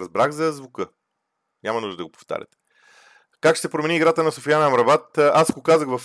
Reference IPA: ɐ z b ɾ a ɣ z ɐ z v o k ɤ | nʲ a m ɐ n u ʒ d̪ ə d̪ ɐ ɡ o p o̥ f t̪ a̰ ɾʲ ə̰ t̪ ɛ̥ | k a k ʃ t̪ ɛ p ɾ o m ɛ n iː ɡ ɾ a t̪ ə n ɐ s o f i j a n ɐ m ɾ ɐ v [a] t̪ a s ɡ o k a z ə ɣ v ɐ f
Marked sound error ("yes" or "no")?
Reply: no